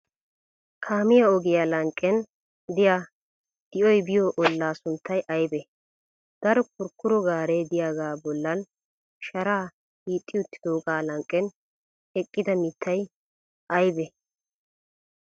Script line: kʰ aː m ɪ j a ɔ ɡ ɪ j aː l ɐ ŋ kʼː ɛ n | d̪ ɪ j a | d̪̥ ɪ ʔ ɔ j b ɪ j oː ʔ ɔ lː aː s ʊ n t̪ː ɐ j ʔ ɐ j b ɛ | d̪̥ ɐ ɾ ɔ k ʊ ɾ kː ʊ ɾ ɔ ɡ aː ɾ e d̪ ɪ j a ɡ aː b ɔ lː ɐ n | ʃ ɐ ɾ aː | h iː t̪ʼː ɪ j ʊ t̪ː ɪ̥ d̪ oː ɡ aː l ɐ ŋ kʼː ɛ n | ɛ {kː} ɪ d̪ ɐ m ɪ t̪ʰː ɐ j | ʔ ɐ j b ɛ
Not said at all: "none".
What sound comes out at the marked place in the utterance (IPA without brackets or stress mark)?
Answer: kʼː